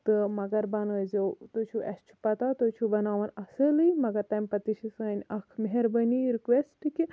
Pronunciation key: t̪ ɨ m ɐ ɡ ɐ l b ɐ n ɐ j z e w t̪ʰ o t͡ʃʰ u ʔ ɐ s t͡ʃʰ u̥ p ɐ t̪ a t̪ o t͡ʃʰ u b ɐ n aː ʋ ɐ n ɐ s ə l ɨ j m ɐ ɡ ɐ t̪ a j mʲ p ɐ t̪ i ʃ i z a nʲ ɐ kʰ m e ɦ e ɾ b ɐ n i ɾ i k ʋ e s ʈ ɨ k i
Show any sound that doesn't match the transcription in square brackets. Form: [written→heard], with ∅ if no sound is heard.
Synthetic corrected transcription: t̪ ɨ m ɐ ɡ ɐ [l→ɾ] b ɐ n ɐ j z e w [t̪ʰ→t̪] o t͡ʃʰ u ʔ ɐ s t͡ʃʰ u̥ p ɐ t̪ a t̪ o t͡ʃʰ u b ɐ n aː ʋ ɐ n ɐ s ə l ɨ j m ɐ ɡ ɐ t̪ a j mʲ p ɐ t̪ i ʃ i [z→s] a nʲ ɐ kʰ m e ɦ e ɾ b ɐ n i ɾ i k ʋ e s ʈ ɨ k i